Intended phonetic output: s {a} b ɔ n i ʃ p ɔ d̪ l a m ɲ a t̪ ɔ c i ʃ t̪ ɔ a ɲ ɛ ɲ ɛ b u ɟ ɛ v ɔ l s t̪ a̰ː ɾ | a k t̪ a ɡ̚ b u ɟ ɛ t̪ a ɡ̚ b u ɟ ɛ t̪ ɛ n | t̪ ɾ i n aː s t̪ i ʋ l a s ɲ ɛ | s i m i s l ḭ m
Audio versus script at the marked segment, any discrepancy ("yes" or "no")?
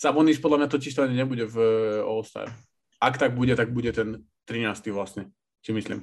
no